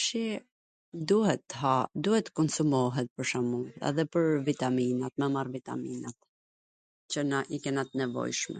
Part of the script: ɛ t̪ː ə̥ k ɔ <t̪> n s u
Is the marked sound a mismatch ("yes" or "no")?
yes